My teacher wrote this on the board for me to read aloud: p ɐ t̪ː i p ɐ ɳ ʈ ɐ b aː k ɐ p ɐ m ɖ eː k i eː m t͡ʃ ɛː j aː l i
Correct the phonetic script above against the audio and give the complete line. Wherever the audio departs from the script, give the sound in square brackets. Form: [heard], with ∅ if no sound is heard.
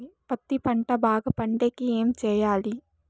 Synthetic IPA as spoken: p ɐ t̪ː i p ɐ ɳ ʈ ɐ b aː [ɡ] ɐ p ɐ [ɳ] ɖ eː k i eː m t͡ʃ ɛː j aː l i